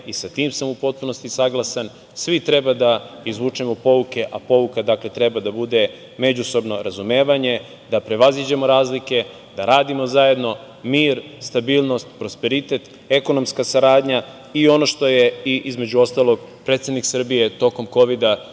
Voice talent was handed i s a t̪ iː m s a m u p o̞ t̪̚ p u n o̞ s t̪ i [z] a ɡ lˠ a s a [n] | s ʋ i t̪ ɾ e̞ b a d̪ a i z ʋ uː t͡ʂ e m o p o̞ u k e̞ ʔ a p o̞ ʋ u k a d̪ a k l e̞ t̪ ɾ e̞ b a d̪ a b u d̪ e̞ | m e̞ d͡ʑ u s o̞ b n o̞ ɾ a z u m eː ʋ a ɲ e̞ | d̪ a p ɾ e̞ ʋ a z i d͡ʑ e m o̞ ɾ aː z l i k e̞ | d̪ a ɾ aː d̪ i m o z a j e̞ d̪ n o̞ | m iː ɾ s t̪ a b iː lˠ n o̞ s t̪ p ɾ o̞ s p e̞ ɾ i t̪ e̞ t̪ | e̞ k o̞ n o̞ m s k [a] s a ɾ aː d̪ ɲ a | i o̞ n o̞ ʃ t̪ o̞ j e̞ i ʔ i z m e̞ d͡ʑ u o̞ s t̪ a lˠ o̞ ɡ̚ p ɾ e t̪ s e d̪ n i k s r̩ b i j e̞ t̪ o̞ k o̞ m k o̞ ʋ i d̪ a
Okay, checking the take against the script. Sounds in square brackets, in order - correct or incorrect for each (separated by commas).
incorrect, correct, correct